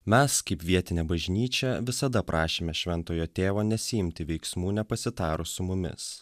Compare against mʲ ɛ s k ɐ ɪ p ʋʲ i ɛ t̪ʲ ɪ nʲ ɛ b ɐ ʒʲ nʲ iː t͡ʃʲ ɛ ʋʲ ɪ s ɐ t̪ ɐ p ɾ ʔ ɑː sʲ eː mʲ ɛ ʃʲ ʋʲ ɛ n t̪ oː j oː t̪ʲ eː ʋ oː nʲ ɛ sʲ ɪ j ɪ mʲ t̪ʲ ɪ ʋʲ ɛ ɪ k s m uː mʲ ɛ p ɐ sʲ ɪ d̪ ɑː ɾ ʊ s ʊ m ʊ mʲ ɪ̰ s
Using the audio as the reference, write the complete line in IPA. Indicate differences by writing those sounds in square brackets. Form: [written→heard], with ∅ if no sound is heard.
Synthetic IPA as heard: mʲ ɛ s k ɐ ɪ p ʋʲ i ɛ t̪ʲ ɪ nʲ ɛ b ɐ ʒʲ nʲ iː t͡ʃʲ ɛ ʋʲ ɪ s ɐ [t̪→d̪] ɐ p ɾ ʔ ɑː [sʲ→ʃʲ] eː mʲ ɛ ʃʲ ʋʲ ɛ n t̪ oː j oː t̪ʲ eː ʋ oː nʲ ɛ sʲ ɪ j ɪ mʲ t̪ʲ ɪ ʋʲ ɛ ɪ k s m uː [mʲ→nʲ] ɛ p ɐ sʲ ɪ [d̪→t̪] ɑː ɾ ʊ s ʊ m ʊ mʲ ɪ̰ s

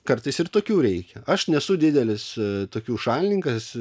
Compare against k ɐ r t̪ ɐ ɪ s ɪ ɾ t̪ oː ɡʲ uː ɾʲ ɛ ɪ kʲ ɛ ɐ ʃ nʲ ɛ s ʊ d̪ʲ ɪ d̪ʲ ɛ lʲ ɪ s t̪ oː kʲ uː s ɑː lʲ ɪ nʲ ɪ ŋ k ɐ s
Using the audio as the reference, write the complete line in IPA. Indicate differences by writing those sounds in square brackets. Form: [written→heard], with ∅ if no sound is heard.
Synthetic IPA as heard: k ɐ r t̪ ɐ ɪ s ɪ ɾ t̪ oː [ɡʲ→kʲ] uː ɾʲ ɛ ɪ kʲ ɛ ɐ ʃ nʲ ɛ s ʊ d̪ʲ ɪ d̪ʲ ɛ lʲ ɪ s t̪ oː kʲ uː [s→ʃ] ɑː lʲ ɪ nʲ ɪ ŋ k ɐ s

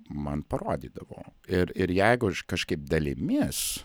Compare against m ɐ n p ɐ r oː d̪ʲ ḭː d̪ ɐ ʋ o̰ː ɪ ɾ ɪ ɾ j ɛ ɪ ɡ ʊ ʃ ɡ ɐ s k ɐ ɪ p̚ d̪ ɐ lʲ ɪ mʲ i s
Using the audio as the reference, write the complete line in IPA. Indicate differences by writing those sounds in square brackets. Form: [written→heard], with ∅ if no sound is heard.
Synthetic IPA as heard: m ɐ n p ɐ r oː d̪ʲ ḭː d̪ ɐ ʋ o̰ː ɪ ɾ ɪ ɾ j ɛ ɪ ɡ ʊ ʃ [ɡ→k] ɐ [s→ʃ] k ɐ ɪ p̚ d̪ ɐ lʲ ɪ mʲ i s

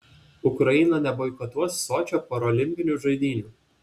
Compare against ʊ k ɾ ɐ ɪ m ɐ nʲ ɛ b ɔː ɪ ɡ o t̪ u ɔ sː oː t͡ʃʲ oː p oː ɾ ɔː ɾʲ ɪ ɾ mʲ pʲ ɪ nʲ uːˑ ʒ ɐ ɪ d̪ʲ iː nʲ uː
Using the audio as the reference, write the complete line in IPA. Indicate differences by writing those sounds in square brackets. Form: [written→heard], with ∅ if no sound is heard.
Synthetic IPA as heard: ʊ k ɾ ɐ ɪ [m→n] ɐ nʲ ɛ b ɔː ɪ [ɡ→k] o t̪ u ɔ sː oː t͡ʃʲ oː p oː ɾ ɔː [ɾʲ→lʲ] ɪ [ɾ→∅] mʲ pʲ ɪ nʲ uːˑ ʒ ɐ ɪ d̪ʲ iː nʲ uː

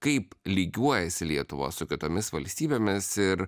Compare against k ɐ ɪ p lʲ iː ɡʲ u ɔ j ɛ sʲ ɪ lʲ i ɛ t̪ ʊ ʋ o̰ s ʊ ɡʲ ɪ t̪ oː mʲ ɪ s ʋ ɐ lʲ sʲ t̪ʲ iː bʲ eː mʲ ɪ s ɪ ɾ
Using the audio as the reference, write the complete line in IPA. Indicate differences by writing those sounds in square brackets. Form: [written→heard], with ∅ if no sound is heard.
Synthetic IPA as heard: k ɐ ɪ p lʲ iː ɡʲ u ɔ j ɛ sʲ ɪ lʲ i ɛ t̪ ʊ ʋ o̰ s ʊ [ɡʲ→kʲ] ɪ t̪ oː mʲ ɪ s ʋ ɐ lʲ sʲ t̪ʲ iː bʲ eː mʲ ɪ s ɪ ɾ

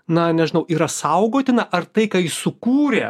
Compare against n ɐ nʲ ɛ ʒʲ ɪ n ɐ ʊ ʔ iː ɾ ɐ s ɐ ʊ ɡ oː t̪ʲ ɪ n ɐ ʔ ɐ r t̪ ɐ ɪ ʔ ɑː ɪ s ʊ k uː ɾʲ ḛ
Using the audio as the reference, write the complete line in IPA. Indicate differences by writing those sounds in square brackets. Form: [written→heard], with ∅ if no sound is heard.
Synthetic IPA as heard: n ɐ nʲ ɛ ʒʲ ɪ n ɐ ʊ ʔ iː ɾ ɐ s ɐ ʊ ɡ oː t̪ʲ ɪ n ɐ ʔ ɐ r t̪ ɐ ɪ [ʔ→k] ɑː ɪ s ʊ k uː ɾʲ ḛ

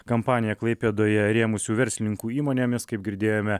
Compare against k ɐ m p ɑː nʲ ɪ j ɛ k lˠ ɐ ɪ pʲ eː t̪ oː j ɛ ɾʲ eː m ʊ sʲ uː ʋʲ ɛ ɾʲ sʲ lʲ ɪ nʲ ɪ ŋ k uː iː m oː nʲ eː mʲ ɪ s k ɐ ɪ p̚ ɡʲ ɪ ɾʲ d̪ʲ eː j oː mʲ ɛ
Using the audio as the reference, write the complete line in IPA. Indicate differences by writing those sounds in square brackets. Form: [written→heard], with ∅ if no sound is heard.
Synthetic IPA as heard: k ɐ m p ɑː nʲ ɪ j ɛ k lˠ ɐ ɪ pʲ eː [t̪→d̪] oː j ɛ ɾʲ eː m ʊ sʲ uː ʋʲ ɛ ɾʲ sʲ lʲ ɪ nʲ ɪ ŋ k uː iː m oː nʲ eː mʲ ɪ s k ɐ ɪ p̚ ɡʲ ɪ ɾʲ d̪ʲ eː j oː mʲ ɛ

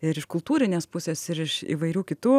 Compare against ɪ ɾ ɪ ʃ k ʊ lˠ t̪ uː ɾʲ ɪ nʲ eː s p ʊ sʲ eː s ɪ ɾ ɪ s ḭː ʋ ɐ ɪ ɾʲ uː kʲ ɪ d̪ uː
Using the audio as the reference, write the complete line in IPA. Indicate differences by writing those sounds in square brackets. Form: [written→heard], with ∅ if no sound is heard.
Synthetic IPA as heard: ɪ ɾ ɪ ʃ k ʊ lˠ t̪ uː ɾʲ ɪ nʲ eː s p ʊ sʲ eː s ɪ ɾ ɪ [s→ʃ] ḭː ʋ ɐ ɪ ɾʲ uː kʲ ɪ [d̪→t̪] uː

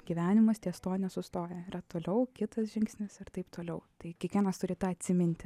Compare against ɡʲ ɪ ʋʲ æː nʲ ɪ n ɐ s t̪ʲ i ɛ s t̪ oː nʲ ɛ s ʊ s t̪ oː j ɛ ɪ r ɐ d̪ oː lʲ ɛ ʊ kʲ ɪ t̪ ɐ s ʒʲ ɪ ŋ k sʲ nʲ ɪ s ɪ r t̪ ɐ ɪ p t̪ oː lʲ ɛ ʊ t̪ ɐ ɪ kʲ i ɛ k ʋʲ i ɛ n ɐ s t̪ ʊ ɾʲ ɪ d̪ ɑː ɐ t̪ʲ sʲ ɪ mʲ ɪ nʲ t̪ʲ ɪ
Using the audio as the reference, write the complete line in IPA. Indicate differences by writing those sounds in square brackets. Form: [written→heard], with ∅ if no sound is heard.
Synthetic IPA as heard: ɡʲ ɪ ʋʲ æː nʲ ɪ [n→m] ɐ s t̪ʲ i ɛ s t̪ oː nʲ ɛ s ʊ s t̪ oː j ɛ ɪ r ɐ [d̪→t̪] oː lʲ ɛ ʊ kʲ ɪ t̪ ɐ s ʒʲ ɪ ŋ k sʲ nʲ ɪ s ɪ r t̪ ɐ ɪ p t̪ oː lʲ ɛ ʊ t̪ ɐ ɪ kʲ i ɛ k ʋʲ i ɛ n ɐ s t̪ ʊ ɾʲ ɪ [d̪→t̪] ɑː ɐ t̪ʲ sʲ ɪ mʲ ɪ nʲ t̪ʲ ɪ

